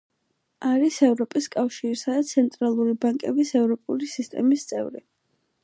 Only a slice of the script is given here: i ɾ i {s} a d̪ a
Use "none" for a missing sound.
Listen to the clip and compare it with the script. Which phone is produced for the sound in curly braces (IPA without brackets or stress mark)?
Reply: s